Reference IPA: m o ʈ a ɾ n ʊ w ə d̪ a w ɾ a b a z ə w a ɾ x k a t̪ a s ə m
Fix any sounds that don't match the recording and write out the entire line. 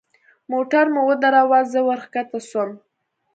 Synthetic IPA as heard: m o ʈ a ɾ m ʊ w ə d̪ a ɾ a w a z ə w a ɾ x k a t̪ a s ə m